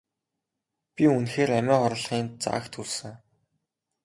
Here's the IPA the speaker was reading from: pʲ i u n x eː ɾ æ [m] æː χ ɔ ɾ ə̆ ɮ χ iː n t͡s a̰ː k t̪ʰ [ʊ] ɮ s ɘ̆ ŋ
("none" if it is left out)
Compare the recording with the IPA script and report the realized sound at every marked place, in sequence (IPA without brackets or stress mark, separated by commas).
m, u